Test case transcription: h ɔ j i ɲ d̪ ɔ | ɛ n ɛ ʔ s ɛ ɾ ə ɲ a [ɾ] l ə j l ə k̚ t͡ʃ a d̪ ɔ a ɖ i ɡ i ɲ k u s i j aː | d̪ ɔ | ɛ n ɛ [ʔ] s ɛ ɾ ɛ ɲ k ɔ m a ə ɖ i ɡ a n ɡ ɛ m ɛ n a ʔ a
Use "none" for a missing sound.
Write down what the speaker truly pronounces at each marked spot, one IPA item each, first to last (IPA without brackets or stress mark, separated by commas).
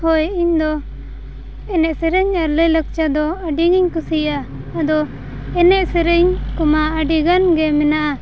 ɾ, ʔ